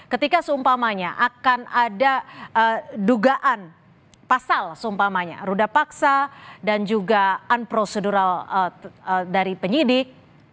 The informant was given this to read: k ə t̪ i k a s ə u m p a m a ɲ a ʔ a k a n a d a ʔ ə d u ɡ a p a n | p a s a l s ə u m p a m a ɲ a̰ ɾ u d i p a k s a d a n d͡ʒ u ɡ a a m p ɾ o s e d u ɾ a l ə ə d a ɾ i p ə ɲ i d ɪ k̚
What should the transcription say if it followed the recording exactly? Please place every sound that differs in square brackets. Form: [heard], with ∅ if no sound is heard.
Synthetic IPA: k ə t̪ i k a s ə u m p a m a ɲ a ʔ a k a n a d a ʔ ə d u ɡ a [ʔ] a n | p a s a l s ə u m p a m a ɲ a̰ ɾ u d [a] p a k s a d a n d͡ʒ u ɡ a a [n] p ɾ o s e d u ɾ a l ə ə d a ɾ i p ə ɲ i d ɪ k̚